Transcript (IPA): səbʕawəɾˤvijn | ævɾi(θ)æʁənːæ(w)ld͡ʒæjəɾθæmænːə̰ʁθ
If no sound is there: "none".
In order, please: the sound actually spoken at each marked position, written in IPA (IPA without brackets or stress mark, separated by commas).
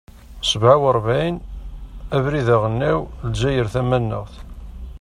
ð, w